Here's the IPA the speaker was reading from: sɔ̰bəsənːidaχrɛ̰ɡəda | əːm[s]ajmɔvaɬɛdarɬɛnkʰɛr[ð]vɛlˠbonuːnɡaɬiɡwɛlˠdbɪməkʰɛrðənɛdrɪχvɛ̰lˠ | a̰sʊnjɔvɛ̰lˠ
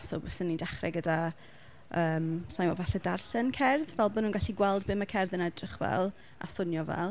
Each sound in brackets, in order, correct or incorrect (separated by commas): correct, correct